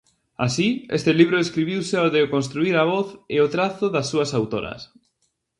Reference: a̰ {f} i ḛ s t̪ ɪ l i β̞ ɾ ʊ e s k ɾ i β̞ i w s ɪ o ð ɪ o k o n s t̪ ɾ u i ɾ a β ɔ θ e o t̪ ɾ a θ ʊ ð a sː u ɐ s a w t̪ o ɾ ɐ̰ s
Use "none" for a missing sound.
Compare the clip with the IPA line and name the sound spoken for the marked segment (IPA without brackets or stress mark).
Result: s